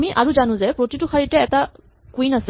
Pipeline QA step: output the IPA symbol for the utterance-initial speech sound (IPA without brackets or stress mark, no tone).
m